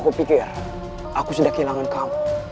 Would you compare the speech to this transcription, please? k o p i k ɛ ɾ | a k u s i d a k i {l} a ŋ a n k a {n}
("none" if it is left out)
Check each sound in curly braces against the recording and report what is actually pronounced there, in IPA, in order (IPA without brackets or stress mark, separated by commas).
l, m